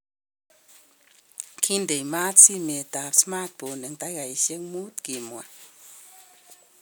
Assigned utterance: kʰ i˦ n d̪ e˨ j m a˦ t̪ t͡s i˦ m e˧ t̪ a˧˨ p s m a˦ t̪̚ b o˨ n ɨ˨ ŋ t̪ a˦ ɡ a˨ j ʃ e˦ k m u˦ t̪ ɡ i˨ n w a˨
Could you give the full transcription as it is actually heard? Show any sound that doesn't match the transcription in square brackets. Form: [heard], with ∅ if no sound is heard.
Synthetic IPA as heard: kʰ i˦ n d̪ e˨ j m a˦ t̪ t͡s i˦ m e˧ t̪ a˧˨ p s m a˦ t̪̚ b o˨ n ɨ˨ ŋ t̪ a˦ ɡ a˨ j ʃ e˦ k m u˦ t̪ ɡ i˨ [m] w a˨